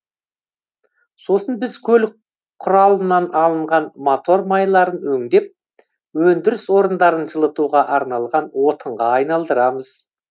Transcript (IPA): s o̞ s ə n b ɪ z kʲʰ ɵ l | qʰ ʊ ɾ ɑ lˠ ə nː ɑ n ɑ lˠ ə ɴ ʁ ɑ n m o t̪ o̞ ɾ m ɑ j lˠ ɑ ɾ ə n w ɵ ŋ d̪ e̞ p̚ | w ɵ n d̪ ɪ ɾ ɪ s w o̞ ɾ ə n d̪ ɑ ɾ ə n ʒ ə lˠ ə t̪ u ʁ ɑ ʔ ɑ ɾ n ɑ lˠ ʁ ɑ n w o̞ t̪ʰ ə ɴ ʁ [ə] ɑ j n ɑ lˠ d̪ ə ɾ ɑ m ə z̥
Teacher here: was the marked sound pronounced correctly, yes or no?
no